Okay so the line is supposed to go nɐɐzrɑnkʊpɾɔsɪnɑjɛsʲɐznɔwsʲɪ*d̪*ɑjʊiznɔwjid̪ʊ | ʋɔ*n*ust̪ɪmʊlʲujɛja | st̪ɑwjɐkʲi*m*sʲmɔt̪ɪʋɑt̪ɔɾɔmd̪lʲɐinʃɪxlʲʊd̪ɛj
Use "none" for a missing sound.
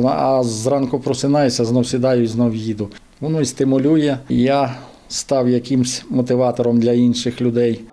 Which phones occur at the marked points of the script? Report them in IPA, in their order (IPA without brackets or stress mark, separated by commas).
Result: d̪, n, m